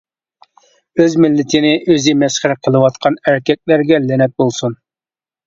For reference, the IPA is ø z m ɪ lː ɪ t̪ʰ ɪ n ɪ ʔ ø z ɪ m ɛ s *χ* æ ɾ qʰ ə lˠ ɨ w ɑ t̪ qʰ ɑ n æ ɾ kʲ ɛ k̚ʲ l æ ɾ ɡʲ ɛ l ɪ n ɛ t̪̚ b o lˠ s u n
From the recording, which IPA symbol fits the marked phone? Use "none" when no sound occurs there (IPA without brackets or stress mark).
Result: χ